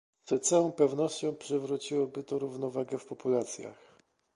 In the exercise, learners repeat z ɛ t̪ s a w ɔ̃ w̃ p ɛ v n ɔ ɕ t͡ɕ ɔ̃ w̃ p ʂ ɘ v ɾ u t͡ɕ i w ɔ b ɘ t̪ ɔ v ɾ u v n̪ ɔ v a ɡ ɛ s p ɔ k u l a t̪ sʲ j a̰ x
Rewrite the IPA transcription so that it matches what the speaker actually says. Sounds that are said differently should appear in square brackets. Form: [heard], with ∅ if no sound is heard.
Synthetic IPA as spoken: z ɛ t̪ s a w ɔ̃ w̃ p ɛ v n ɔ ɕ t͡ɕ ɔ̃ w̃ p ʂ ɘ v ɾ u t͡ɕ i w ɔ b ɘ t̪ ɔ [∅] ɾ u v n̪ ɔ v a ɡ ɛ [f] p ɔ [p] u l a t̪ sʲ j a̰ x